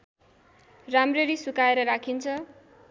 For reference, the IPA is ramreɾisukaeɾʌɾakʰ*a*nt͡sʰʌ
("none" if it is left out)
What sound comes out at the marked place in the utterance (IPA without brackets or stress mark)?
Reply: i